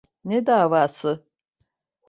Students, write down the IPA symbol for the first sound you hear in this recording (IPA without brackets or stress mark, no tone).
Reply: n